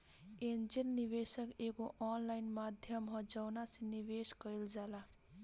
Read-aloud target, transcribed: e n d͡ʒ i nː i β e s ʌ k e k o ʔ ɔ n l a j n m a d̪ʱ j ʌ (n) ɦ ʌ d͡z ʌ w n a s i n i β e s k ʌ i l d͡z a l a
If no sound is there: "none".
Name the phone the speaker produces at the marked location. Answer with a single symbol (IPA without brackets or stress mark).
m